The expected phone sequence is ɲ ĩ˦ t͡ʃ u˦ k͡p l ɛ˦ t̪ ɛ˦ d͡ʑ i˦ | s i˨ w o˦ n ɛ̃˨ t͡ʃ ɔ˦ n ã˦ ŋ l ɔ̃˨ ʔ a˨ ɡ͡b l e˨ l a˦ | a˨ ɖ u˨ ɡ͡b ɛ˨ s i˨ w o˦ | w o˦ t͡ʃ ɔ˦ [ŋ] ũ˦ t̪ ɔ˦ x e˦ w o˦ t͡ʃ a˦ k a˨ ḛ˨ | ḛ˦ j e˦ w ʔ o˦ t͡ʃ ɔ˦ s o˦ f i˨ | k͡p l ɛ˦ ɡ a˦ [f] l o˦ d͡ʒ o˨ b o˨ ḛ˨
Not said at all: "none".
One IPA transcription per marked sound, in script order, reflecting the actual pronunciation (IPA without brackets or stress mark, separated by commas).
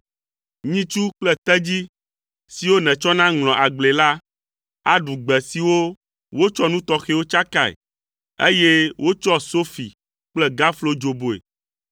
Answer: n, f